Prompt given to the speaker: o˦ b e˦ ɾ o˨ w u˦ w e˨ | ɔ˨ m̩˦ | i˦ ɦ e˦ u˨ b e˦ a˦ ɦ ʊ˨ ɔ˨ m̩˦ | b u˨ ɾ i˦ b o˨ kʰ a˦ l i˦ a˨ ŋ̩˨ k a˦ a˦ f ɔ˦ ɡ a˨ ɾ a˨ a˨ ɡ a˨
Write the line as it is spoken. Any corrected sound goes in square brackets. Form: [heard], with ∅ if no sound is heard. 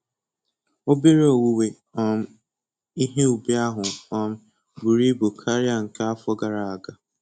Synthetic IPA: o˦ b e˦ ɾ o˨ w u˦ w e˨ | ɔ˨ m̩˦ | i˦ ɦ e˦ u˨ b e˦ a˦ ɦ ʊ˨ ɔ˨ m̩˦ | b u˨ ɾ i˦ b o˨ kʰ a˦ [ɾ] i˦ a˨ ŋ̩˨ k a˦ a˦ f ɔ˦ ɡ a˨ ɾ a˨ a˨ ɡ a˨